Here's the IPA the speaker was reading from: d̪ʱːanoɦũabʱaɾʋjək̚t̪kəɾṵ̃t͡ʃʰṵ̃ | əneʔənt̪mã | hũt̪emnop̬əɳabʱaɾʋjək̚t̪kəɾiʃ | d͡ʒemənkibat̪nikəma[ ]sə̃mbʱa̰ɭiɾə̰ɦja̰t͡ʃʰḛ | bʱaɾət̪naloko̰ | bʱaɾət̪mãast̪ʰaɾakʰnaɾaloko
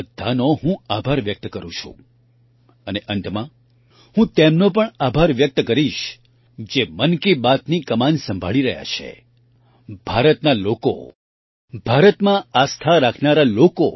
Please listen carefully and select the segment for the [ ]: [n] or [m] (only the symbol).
n